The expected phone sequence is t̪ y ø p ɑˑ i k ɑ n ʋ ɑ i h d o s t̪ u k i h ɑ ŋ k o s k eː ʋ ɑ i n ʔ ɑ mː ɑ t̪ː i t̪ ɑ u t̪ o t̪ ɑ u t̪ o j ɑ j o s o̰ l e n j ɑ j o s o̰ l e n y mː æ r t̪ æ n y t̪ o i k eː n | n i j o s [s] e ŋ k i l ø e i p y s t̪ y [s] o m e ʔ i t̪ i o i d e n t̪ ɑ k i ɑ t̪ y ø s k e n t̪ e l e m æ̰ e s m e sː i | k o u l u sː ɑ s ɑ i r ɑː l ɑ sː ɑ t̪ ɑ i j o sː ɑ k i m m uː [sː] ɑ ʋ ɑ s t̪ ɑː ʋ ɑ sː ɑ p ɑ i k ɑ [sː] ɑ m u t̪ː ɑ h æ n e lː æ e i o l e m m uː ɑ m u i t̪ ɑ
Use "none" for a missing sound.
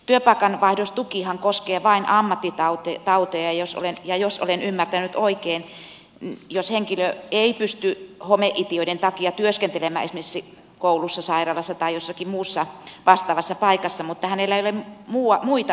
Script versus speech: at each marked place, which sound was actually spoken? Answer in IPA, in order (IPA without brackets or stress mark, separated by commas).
h, h, sː, sː